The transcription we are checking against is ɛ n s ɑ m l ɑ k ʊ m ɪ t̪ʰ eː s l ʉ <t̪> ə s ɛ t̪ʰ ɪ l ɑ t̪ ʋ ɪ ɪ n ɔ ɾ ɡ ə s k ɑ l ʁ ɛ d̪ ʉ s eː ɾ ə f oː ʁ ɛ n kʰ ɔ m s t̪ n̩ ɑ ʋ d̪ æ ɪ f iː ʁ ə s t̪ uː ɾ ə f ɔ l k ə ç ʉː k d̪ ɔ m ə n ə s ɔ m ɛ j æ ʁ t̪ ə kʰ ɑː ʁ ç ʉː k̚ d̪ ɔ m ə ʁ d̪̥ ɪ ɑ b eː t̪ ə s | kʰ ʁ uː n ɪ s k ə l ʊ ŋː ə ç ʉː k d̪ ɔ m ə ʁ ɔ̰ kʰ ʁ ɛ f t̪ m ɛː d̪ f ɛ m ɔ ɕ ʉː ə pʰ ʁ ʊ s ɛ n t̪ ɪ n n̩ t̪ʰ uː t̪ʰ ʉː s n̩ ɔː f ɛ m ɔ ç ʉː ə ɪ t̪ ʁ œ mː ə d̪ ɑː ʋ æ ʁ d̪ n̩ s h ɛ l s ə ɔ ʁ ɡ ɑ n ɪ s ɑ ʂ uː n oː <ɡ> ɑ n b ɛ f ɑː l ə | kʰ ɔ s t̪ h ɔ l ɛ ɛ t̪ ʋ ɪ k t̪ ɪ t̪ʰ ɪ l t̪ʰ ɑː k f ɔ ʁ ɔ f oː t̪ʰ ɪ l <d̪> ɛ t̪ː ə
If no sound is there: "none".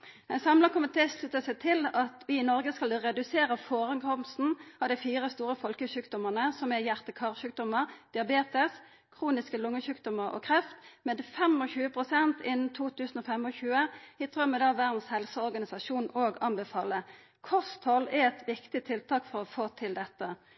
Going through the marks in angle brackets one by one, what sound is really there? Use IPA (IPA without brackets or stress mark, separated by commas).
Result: t̪, ɡ, d̪